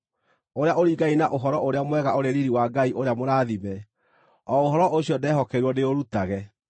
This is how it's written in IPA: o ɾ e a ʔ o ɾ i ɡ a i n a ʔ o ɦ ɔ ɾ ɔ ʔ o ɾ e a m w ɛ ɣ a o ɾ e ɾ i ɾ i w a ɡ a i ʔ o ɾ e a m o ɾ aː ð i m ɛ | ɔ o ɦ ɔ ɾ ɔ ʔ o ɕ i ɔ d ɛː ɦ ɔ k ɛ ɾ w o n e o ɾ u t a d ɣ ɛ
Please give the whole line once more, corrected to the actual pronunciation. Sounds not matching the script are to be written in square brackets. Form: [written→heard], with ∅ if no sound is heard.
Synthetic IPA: o ɾ e a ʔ o ɾ i ɡ a i n a ʔ o ɦ ɔ ɾ ɔ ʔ o ɾ e a m w ɛ ɣ a o ɾ e ɾ i ɾ i w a ɡ a i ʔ o ɾ e a m o ɾ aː ð i m ɛ | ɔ o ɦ ɔ ɾ ɔ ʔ o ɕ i ɔ d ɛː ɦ ɔ k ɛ ɾ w [o→ɔ] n e o ɾ u t a [d→∅] ɣ ɛ

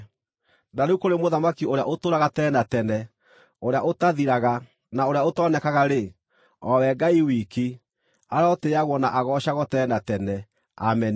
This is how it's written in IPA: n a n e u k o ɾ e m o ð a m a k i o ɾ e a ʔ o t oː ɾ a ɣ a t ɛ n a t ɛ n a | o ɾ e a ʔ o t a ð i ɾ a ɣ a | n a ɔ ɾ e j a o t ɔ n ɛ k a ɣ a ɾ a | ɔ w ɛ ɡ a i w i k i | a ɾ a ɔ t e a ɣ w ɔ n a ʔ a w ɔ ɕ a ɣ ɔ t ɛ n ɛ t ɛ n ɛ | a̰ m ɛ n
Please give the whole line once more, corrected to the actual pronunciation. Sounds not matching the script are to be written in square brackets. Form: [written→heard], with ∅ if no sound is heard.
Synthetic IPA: n a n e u k o ɾ e m o ð a m a k i o ɾ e a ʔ o t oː ɾ a ɣ a t ɛ n a t ɛ n [a→ɛ] | o ɾ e a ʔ o t a ð i ɾ a ɣ a | n a [ɔ→o] ɾ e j a o t ɔ n ɛ k a ɣ a ɾ [a→e] | ɔ w ɛ ɡ a i w i k i | a ɾ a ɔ t e a ɣ w ɔ n a ʔ a [w→ɣ] ɔ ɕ a ɣ ɔ t ɛ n [ɛ→a] t ɛ n ɛ | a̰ m ɛ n

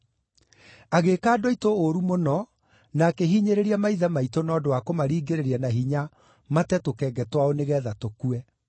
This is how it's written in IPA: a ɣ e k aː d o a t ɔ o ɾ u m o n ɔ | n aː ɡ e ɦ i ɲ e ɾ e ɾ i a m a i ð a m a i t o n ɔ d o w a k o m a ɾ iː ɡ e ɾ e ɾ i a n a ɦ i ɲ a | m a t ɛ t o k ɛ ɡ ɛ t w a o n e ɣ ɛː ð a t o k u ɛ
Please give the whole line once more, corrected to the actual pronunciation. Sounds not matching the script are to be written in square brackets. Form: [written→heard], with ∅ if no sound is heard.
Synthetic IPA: a ɣ e k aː d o [a→i] t [ɔ→o] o ɾ u m o n ɔ | n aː [ɡ→k] e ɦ i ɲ e ɾ e ɾ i a m a i ð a m a i t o n ɔ d o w a k o m a ɾ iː ɡ e ɾ e ɾ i a n a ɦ i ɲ a | m a t ɛ t o k ɛ ɡ ɛ t w a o n e ɣ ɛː ð a t o k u ɛ

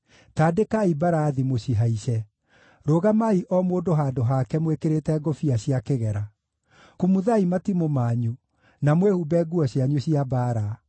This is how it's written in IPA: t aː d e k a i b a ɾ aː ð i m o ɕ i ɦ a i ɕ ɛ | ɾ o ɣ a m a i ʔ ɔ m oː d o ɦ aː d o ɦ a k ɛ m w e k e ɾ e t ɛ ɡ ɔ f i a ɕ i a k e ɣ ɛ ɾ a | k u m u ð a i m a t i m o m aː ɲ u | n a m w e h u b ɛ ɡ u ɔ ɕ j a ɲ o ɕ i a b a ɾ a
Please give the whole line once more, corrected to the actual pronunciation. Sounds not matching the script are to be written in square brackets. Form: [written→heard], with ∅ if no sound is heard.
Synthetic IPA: t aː d e k a i b a ɾ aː ð i m o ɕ i ɦ a i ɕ ɛ | ɾ o ɣ a m a i ʔ ɔ m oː d o ɦ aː d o ɦ a k ɛ m w e k e ɾ e t ɛ ɡ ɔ f i a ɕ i a k e ɣ ɛ ɾ a | k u m u ð a i m a t i m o m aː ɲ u | n a m w e h u b ɛ ɡ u ɔ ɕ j a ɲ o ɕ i a b a ɾ a

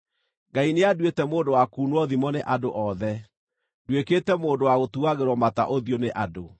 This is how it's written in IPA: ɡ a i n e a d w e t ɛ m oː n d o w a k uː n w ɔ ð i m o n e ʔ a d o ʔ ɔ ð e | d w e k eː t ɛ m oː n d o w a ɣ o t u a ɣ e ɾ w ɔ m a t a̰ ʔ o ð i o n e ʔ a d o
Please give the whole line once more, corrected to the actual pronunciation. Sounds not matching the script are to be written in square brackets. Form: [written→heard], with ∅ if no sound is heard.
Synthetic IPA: ɡ a i n e a d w e t ɛ m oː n d o w a k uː n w ɔ ð i m [o→ɔ] n e ʔ a d o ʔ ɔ ð [e→ɛ] | d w e k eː t ɛ m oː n d o w a ɣ o t u a ɣ e ɾ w ɔ m a t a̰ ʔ o ð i o n e ʔ a d o

